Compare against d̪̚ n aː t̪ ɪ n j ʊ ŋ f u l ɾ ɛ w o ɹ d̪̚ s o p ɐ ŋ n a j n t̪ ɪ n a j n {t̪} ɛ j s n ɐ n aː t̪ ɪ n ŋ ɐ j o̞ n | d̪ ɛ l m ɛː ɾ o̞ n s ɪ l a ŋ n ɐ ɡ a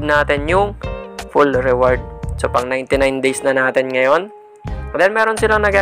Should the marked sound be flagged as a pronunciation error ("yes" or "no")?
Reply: yes